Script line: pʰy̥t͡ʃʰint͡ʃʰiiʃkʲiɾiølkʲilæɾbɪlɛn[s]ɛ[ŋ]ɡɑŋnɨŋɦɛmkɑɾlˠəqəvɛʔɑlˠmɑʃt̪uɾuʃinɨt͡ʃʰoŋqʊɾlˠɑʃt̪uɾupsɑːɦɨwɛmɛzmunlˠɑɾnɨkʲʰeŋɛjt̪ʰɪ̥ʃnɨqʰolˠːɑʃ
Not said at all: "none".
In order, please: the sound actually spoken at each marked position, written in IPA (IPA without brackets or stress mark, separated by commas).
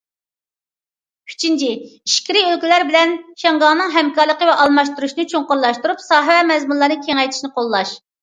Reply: ʃ, ŋ